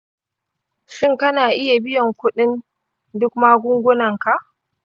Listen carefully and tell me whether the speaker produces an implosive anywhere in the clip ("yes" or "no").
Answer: yes